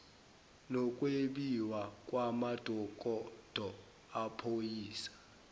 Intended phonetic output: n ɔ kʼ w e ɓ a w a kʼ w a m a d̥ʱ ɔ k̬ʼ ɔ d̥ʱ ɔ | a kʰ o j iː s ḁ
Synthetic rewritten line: n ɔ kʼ w e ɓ i w a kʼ w a m a d̥ʱ ɔ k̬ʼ ɔ d̥ʱ ɔ | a pʰ o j iː s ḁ